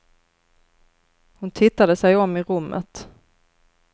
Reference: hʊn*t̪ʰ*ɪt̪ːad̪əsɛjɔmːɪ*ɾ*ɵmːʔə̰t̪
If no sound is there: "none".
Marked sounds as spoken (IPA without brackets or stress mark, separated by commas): t̪ʰ, ɾ